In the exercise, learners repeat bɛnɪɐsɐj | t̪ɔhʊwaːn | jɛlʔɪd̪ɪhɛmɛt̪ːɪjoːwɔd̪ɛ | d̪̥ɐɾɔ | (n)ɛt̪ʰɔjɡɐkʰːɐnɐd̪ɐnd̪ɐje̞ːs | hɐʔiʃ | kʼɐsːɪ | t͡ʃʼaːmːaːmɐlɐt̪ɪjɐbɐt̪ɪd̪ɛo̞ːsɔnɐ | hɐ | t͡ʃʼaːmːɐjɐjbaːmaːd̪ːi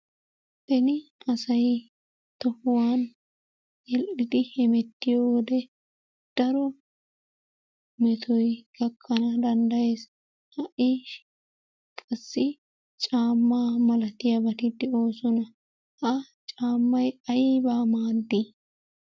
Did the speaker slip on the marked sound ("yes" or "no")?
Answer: yes